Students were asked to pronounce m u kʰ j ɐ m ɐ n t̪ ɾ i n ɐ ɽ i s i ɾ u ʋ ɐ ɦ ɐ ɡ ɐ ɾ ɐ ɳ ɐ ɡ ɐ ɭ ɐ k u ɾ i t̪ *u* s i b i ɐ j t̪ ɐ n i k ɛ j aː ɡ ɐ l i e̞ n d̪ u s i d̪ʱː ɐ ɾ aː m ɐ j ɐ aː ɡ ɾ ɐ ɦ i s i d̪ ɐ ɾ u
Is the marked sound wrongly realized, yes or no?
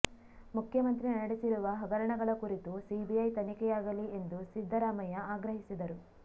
no